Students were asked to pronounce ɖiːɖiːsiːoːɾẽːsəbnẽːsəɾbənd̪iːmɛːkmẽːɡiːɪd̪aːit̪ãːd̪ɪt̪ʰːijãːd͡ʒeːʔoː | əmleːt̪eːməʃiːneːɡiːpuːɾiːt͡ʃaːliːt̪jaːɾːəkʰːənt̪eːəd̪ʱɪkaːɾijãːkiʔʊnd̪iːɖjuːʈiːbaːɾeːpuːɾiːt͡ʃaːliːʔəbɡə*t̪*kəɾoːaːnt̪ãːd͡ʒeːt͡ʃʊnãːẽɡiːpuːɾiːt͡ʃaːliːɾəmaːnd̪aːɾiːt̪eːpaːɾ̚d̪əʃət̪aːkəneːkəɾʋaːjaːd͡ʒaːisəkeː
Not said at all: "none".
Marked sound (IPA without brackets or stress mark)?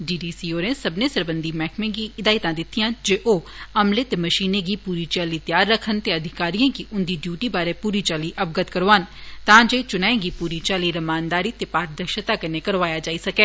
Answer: t̪